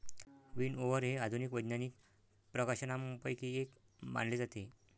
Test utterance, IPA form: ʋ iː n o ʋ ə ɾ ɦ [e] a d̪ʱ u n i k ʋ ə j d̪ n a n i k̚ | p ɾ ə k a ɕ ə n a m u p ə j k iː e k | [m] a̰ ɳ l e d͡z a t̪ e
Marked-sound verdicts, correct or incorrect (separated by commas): correct, correct